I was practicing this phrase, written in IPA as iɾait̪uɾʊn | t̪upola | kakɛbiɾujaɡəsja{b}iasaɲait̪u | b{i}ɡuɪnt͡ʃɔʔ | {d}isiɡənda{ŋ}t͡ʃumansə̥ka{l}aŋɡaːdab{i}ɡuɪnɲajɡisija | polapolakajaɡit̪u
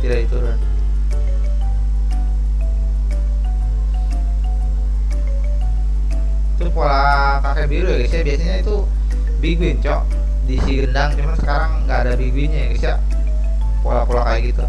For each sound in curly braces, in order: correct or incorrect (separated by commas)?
correct, correct, correct, correct, incorrect, correct